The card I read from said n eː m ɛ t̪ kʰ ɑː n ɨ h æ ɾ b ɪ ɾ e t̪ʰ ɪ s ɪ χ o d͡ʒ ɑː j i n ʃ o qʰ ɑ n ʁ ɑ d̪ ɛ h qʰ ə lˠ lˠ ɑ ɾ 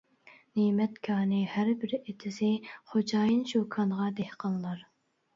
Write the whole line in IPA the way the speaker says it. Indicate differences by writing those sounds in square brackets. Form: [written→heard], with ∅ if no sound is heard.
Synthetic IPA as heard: n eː m ɛ t̪ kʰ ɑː n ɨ h æ ɾ b ɪ ɾ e t̪ʰ ɪ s ɪ χ o d͡ʒ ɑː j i n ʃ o [qʰ→kʰ] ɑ n ʁ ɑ d̪ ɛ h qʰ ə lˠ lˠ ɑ ɾ